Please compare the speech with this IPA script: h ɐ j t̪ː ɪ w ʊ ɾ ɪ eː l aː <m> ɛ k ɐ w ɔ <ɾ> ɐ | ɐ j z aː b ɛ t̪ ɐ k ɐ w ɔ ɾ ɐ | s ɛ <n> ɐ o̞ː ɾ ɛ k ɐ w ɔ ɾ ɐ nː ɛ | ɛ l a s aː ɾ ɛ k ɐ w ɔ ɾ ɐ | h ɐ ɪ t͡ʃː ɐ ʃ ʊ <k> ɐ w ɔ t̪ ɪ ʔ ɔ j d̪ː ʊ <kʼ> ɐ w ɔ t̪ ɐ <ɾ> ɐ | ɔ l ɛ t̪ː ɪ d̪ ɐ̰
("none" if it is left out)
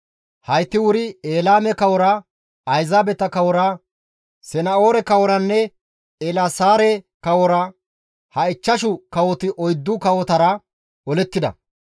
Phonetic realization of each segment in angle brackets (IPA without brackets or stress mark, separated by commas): m, ɾ, n, k, k, ɾ